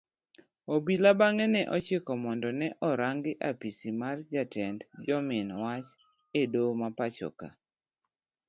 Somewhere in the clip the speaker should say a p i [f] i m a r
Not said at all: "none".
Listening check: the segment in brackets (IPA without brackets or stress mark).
s